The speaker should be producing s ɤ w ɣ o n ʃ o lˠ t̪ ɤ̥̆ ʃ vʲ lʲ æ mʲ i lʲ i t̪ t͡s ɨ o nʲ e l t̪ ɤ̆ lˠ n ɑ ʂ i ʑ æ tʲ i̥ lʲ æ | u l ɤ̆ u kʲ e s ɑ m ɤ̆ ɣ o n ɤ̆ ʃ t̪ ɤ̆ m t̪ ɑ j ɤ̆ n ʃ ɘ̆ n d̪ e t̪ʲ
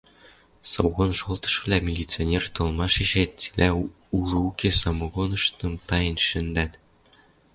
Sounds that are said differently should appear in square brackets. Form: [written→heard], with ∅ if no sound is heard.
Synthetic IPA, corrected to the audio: s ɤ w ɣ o n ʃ o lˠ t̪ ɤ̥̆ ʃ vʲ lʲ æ mʲ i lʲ i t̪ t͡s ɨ o nʲ e [l→r] t̪ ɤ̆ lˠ [n→m] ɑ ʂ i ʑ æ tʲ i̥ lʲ æ | u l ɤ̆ u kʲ e s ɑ m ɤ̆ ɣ o n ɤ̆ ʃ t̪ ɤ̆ m t̪ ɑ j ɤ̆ n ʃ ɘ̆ n d̪ [e→æ] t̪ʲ

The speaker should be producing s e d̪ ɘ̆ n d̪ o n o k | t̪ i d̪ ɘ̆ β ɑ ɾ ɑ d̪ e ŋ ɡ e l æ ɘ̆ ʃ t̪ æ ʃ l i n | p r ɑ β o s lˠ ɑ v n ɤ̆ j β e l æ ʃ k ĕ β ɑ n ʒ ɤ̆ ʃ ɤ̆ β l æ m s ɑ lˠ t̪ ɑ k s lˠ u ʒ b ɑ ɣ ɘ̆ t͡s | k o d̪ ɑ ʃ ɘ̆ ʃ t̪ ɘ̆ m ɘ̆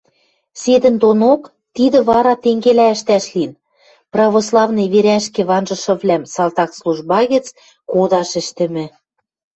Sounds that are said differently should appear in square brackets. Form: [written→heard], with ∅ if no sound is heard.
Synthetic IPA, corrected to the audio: s e d̪ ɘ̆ n d̪ o n o k | t̪ i d̪ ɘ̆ β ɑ ɾ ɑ [d̪→t̪] e ŋ ɡ e l æ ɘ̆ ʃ t̪ æ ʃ l i n | p r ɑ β o s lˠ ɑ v n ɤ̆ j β e [l→ɾ] æ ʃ k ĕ β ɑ n ʒ ɤ̆ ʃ ɤ̆ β l æ m s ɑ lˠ t̪ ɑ k s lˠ u ʒ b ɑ ɣ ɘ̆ t͡s | k o d̪ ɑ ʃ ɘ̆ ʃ t̪ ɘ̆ m ɘ̆

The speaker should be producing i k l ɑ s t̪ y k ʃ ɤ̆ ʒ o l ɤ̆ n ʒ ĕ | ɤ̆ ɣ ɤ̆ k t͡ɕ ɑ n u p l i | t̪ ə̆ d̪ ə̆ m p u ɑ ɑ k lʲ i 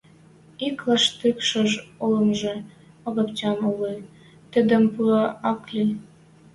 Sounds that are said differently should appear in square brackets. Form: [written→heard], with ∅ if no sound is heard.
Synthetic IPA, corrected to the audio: i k l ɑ [s→ʃ] t̪ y k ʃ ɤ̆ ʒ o l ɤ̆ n ʒ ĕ | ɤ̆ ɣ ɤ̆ [k→p] t͡ɕ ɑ n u [p→∅] l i | t̪ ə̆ d̪ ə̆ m p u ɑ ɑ k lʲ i

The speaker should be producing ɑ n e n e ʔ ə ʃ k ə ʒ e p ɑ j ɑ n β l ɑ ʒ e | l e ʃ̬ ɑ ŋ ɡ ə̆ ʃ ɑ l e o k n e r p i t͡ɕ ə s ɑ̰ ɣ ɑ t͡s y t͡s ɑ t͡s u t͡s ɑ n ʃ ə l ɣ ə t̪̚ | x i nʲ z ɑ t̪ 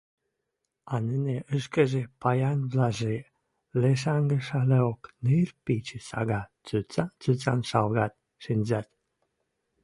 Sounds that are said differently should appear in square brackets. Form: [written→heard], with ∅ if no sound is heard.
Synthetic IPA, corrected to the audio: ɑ n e n e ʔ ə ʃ k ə ʒ e p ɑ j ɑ n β l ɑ ʒ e | l e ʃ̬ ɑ ŋ ɡ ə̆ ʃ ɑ l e o k n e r p i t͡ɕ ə s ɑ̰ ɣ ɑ t͡s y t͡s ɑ t͡s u t͡s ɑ n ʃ [ə→ɑ] l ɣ [ə→ɑ] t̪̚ | [x→ʃ] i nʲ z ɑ t̪

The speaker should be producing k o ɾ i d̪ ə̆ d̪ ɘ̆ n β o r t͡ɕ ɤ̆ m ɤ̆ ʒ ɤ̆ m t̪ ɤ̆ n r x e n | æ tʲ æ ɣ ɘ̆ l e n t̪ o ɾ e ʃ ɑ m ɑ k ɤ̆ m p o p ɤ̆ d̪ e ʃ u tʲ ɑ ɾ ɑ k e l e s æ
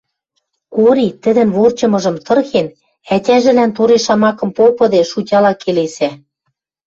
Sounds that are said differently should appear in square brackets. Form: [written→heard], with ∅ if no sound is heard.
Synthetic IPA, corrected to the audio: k o ɾ i [d̪→t̪] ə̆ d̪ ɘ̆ n β o r t͡ɕ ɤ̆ m ɤ̆ ʒ ɤ̆ m t̪ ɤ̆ [n→∅] r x e n | æ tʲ æ [ɣ→ʒ] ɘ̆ l [e→æ] n t̪ o ɾ e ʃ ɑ m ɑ k ɤ̆ m p o p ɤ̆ d̪ e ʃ u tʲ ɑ [ɾ→l] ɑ k e l e s æ

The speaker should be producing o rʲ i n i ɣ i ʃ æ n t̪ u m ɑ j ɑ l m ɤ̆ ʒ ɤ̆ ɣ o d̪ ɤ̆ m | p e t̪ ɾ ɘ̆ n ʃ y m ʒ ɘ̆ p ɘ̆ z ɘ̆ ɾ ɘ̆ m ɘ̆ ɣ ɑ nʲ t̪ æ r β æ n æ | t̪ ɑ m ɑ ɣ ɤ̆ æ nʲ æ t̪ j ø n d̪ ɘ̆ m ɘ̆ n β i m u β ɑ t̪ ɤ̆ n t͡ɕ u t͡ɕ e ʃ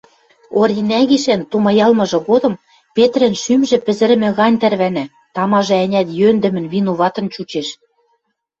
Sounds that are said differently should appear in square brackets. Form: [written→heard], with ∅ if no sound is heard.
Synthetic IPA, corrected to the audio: o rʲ i n [i→æ] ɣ i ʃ æ n t̪ u m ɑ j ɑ l m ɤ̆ ʒ ɤ̆ ɣ o d̪ ɤ̆ m | p e t̪ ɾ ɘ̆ n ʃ y m ʒ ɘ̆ p ɘ̆ z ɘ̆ ɾ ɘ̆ m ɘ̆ ɣ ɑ nʲ t̪ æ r β æ n æ | t̪ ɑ m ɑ [ɣ→ʒ] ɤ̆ æ nʲ æ t̪ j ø n d̪ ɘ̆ m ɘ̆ n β i [m→n] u β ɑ t̪ ɤ̆ n t͡ɕ u t͡ɕ e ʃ

